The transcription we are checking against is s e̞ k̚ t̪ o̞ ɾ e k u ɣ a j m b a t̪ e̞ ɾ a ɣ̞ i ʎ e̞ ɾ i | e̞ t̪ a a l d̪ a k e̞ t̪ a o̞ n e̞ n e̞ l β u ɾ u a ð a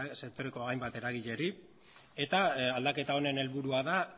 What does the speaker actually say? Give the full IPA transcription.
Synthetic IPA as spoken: s e̞ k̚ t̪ o̞ ɾ e k o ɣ a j m b a t̪ e̞ ɾ a ɣ̞ i ʎ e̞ ɾ i | e̞ t̪ a a l d̪ a k e̞ t̪ a o̞ n e̞ n e̞ l β u ɾ u a ð a